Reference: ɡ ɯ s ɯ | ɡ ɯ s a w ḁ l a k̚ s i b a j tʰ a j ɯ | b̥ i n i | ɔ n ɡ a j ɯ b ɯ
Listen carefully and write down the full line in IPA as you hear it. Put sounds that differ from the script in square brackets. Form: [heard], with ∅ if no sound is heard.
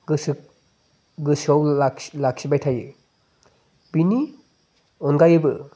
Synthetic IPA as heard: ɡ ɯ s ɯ | ɡ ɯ s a w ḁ l a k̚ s i b a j tʰ a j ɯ | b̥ i n i | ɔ n ɡ a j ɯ b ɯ